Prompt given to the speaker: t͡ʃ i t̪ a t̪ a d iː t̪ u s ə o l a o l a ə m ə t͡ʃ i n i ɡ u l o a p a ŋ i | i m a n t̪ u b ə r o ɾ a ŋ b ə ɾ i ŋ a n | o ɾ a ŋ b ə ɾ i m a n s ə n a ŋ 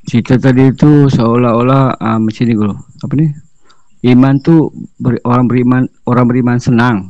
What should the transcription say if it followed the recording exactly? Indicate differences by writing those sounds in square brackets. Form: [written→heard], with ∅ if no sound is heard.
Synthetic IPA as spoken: t͡ʃ i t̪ a t̪ a d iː t̪ u s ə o l a o l a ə m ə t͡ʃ i n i ɡ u l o a p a [ŋ→n] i | i m a n t̪ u b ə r o ɾ a ŋ b ə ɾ i [ŋ→m] a n | o ɾ a ŋ b ə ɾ i m a n s ə n a ŋ